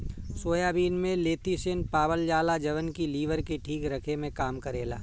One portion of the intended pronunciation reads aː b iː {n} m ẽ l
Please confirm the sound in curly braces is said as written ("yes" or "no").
yes